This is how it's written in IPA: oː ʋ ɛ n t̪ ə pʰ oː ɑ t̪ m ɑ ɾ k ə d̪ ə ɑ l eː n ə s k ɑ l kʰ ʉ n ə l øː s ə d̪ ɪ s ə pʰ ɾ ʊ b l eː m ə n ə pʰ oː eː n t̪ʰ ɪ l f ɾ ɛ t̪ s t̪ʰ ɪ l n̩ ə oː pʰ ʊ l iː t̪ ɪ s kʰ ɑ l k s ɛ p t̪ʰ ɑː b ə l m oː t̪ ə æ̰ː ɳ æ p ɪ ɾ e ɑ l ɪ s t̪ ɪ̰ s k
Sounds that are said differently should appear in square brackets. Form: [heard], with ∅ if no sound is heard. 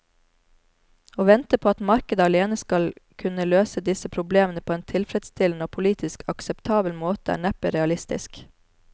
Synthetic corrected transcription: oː ʋ ɛ n t̪ ə pʰ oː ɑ t̪ m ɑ ɾ k ə d̪ ə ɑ l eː n ə s k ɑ l kʰ ʉ n ə l øː s ə d̪ ɪ s ə pʰ ɾ ʊ b l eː m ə n ə pʰ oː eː n t̪ʰ ɪ l f ɾ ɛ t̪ s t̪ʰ ɪ l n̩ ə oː pʰ ʊ l iː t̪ ɪ s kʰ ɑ [∅] k s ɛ p t̪ʰ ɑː b ə l m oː t̪ ə æ̰ː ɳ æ p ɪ ɾ [ɛ] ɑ l ɪ s t̪ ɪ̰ s k